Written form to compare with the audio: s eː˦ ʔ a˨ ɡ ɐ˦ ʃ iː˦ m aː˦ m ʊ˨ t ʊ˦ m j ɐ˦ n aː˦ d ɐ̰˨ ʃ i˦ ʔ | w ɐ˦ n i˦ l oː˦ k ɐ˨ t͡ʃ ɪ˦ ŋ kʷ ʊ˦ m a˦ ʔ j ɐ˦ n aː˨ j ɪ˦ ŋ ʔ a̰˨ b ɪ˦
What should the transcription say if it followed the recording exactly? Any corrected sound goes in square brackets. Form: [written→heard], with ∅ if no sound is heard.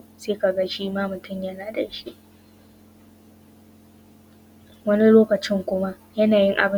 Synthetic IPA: s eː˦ [ʔ→k] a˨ ɡ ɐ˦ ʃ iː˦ m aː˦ m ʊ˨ t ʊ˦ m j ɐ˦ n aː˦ d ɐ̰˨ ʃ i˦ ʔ | w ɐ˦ n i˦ l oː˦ k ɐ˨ t͡ʃ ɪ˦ ŋ kʷ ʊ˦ m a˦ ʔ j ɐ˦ n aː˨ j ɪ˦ ŋ ʔ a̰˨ b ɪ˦